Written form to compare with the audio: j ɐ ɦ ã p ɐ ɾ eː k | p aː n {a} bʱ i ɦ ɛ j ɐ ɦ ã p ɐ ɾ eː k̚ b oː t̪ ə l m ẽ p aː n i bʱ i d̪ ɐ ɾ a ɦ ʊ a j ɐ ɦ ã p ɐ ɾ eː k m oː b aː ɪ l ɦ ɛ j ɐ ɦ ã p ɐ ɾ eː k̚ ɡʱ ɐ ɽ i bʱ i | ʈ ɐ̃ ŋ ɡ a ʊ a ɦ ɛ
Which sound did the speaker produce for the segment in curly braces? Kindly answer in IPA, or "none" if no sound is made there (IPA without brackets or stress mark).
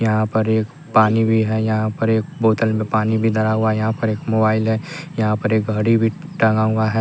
i